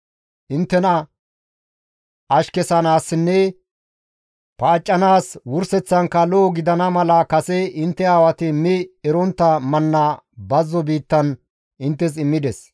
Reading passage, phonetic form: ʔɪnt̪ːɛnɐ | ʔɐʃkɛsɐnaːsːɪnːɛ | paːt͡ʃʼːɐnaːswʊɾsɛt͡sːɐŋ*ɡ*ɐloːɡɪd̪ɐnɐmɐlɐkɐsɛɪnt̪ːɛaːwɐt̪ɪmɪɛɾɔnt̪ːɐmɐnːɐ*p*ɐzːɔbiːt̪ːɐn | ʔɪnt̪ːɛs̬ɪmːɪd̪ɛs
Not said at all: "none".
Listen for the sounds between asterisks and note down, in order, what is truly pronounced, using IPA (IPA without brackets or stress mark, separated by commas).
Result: k, b